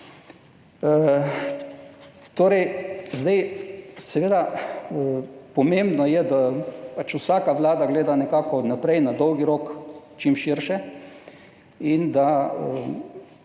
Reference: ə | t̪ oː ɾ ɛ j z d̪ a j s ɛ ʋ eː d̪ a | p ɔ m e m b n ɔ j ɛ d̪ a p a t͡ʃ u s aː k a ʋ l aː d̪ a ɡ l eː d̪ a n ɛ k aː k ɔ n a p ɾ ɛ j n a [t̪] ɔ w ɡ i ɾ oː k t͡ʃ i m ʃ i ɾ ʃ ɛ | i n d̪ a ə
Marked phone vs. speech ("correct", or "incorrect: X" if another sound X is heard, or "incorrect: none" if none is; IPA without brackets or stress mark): incorrect: d̪